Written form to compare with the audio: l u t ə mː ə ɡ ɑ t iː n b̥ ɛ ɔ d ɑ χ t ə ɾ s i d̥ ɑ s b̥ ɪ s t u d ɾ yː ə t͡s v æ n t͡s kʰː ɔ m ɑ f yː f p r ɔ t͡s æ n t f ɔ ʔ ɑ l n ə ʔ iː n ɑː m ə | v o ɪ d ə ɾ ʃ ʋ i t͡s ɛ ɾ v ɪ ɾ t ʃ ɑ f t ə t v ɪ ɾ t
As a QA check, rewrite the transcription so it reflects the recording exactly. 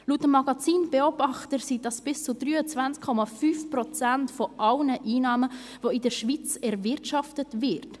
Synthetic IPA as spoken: l u t ə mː ɑ ɡ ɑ t͡s iː n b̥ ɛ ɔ b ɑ χ t ə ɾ s i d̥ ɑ s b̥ ɪ s t͡s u d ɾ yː ə t͡s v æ n t͡s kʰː ɔ m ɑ f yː f p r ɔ t͡s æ n t f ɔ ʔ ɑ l n ə ʔ iː n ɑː m ə | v o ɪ d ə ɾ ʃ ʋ i t͡s ɛ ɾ v ɪ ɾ t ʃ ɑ f t ə t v ɪ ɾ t